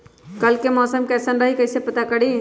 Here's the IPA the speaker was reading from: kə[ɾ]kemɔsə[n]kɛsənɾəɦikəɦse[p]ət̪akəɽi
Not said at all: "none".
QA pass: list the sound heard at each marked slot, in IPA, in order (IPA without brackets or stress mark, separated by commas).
l, m, p